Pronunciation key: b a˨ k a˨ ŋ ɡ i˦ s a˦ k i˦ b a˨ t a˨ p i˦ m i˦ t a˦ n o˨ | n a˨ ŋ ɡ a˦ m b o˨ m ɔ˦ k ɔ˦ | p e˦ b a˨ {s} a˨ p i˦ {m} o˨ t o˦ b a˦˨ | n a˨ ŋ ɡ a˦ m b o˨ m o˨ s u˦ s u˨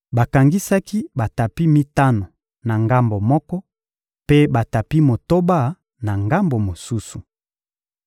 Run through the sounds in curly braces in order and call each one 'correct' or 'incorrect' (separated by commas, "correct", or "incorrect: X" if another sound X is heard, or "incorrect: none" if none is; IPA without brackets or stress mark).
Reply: incorrect: t, correct